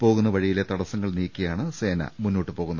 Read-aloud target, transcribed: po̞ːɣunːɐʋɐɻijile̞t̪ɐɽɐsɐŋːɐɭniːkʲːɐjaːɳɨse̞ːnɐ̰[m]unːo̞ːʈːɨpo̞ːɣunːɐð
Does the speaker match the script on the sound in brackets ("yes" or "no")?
yes